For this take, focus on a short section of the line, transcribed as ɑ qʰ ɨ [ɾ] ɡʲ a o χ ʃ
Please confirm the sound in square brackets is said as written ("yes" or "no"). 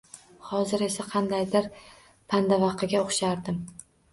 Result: no